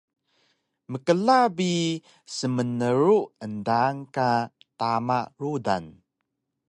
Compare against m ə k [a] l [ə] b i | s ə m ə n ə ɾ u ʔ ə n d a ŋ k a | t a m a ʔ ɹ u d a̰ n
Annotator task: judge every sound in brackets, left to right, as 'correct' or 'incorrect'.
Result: incorrect, incorrect

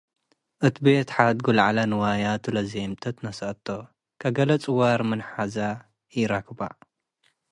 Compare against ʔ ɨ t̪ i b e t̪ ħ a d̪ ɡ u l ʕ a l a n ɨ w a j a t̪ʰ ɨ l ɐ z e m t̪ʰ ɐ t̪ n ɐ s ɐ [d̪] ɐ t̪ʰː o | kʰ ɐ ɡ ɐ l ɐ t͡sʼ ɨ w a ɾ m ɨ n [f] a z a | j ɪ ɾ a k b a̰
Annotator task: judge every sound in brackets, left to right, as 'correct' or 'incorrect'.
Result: incorrect, incorrect

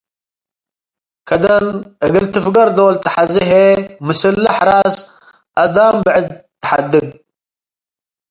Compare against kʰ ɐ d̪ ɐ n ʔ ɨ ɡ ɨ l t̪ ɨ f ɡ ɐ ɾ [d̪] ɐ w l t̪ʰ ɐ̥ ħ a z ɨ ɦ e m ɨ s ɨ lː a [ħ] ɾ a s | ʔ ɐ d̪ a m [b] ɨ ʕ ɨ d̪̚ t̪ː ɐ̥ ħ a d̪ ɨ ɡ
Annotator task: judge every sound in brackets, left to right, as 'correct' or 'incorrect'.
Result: correct, correct, correct

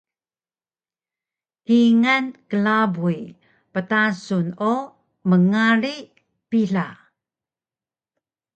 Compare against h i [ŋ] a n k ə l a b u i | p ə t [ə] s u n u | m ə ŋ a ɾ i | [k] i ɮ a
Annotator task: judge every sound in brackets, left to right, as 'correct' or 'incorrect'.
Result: correct, incorrect, incorrect

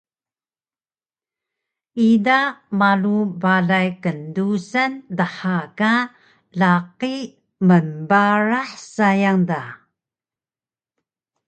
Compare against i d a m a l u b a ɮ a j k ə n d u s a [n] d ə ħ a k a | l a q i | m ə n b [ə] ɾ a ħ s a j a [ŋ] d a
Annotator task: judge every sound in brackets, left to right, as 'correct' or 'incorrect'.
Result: correct, incorrect, correct

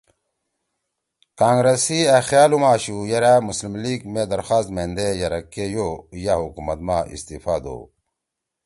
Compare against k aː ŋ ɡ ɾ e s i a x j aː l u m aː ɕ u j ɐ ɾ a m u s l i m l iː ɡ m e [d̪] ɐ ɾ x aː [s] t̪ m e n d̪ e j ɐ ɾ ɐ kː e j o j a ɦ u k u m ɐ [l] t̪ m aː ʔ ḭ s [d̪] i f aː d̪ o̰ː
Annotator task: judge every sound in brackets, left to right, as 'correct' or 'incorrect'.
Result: correct, correct, incorrect, incorrect

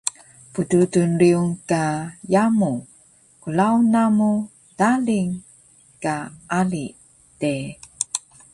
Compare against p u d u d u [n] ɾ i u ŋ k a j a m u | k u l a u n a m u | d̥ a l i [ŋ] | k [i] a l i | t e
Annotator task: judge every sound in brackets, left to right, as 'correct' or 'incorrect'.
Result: correct, correct, incorrect

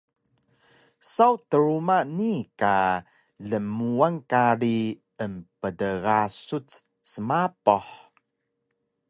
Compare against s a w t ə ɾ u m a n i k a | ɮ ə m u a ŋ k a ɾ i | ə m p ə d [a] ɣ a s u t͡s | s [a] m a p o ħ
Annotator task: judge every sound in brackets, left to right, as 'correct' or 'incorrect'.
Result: incorrect, incorrect

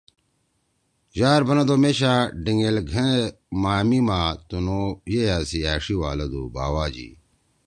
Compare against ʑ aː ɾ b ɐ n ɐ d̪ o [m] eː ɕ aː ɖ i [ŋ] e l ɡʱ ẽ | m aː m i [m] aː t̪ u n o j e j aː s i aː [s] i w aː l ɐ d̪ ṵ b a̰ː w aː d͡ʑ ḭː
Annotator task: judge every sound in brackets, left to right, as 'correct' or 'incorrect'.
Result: correct, correct, correct, incorrect

